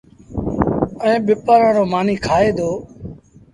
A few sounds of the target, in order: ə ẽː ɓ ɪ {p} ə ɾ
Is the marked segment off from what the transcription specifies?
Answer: no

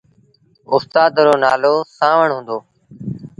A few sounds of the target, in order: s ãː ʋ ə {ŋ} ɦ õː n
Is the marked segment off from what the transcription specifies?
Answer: yes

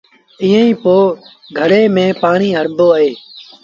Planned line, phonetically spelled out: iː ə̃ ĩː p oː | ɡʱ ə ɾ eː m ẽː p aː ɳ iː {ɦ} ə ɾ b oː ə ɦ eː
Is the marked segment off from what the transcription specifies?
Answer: no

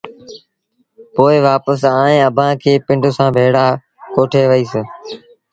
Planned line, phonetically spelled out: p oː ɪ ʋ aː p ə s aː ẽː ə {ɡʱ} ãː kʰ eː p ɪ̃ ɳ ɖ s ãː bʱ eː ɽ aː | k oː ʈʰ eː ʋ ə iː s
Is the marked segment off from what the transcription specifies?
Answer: yes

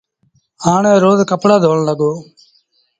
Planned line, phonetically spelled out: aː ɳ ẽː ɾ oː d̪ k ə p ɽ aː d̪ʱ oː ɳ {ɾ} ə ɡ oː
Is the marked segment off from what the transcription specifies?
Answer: yes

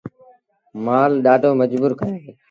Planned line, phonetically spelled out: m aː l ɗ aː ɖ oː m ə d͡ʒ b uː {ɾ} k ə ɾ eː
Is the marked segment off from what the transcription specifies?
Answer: no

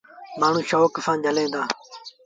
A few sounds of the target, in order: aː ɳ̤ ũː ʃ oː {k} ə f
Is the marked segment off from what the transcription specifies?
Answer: no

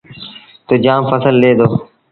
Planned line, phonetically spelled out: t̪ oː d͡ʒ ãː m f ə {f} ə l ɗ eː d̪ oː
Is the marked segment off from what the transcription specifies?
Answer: yes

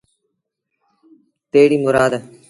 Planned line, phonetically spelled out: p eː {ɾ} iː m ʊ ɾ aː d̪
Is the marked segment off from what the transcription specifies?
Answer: yes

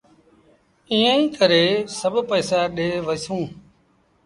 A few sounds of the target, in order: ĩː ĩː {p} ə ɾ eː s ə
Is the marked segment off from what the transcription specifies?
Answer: yes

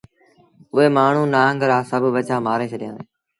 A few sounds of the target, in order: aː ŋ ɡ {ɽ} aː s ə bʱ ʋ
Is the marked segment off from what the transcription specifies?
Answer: yes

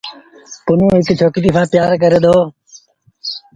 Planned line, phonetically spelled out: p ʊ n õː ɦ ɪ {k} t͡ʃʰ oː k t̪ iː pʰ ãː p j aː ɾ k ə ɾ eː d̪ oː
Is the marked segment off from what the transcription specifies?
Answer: no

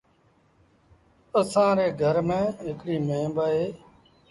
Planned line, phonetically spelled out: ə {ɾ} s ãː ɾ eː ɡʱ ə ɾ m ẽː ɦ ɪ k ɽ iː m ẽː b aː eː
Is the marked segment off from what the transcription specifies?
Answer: yes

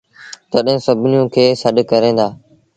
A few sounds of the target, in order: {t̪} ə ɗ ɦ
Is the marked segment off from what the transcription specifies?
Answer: no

